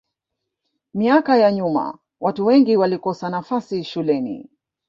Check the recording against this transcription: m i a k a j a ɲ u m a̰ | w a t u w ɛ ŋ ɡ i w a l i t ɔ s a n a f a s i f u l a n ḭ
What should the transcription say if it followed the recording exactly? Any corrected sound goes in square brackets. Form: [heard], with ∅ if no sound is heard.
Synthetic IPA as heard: m i a k a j a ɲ u m a̰ | w a t u w ɛ ŋ ɡ i w a l i [k] ɔ s a n a f a s i [ʃ] u l [ɛ] n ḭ